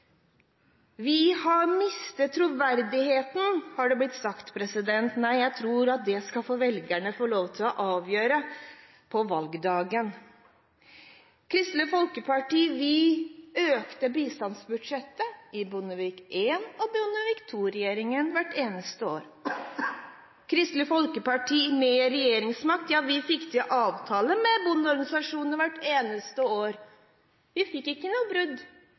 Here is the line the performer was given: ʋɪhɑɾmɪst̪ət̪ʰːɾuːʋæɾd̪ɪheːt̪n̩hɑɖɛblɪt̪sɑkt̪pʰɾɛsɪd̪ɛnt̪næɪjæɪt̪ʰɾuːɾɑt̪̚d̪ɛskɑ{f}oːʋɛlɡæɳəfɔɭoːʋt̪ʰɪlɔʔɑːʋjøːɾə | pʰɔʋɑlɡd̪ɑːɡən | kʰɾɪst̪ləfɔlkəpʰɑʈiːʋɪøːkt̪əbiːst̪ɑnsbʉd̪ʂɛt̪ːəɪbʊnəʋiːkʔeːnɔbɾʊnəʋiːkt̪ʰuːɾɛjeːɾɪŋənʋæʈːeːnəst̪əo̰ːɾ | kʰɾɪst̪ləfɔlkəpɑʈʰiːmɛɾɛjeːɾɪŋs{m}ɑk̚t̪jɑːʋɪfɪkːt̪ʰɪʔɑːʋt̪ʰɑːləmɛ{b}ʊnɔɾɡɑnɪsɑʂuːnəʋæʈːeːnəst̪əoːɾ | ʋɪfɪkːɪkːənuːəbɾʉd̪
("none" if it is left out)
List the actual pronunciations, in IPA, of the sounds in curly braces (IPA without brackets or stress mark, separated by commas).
f, m, b